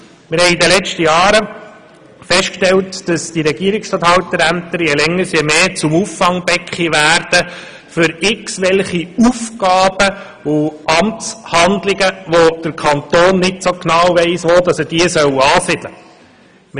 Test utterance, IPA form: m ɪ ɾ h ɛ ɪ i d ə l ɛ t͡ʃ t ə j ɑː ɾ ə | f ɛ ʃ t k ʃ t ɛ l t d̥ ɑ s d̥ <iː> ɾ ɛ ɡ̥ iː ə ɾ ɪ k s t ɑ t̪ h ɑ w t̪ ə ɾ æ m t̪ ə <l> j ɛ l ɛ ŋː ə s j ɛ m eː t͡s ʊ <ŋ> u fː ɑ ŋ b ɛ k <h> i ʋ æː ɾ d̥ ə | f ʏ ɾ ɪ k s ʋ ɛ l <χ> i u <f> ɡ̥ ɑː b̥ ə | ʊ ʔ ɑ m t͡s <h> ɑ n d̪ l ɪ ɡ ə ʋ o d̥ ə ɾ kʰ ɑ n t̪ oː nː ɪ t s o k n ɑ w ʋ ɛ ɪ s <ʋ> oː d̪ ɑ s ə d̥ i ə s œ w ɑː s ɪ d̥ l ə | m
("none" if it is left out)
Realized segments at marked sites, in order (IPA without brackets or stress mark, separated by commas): i, ɾ, m, χ, χ, f, h, ʋ